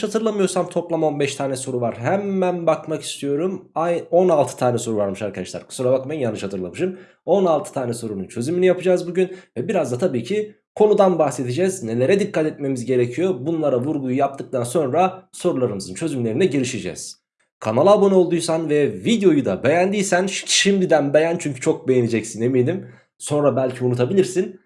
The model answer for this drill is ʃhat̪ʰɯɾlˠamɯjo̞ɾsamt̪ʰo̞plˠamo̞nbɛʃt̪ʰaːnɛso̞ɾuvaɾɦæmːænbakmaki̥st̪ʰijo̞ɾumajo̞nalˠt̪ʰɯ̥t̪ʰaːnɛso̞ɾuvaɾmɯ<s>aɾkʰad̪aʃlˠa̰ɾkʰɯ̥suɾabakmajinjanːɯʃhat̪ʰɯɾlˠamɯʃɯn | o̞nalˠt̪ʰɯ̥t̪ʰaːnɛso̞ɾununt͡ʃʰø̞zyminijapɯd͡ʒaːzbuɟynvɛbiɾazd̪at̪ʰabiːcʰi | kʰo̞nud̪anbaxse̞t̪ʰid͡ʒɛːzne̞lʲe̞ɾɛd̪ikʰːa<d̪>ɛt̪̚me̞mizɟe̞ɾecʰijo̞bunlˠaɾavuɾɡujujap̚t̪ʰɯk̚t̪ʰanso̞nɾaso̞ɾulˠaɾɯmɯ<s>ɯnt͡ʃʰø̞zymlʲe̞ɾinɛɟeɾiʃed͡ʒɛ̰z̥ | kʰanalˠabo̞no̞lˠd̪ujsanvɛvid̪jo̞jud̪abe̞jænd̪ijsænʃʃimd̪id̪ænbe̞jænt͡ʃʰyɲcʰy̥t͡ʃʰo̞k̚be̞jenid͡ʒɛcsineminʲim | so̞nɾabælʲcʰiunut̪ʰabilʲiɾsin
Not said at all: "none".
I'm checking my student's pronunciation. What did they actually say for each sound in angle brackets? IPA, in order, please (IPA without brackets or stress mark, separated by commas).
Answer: ʃ, t̪, z